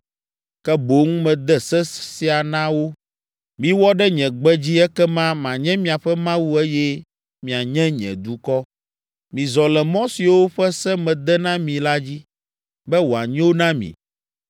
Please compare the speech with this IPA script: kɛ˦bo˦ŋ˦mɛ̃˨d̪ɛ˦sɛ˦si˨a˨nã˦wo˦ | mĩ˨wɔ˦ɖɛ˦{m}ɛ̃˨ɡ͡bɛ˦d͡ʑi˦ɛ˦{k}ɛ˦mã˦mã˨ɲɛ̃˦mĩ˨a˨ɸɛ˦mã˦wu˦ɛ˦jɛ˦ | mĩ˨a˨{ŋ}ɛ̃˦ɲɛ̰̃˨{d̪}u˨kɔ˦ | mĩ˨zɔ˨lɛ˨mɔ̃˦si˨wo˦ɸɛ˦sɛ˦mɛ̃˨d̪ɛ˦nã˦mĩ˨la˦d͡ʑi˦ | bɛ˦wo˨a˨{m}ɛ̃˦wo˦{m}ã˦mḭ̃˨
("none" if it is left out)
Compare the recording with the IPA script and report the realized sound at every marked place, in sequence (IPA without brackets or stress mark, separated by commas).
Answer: ɲ, k, ɲ, d̪, ɲ, n